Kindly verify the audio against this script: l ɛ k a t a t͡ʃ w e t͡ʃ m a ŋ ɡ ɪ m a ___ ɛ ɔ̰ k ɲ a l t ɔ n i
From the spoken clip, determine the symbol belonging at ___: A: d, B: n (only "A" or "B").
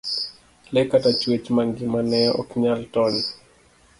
B